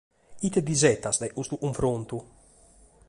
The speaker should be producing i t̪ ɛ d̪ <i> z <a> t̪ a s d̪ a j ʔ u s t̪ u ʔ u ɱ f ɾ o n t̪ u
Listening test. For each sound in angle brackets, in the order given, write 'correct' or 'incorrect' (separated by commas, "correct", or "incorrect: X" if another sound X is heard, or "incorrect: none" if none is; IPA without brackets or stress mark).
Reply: correct, incorrect: ɛ